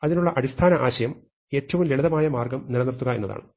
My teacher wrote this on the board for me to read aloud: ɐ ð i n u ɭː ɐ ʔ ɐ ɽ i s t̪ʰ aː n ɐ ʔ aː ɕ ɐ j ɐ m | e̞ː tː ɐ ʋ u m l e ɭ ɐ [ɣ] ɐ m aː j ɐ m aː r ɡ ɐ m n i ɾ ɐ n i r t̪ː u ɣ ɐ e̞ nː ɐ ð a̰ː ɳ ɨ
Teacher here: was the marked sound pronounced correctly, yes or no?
no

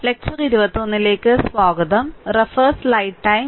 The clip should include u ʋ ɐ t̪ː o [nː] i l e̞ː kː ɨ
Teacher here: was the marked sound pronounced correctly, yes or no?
yes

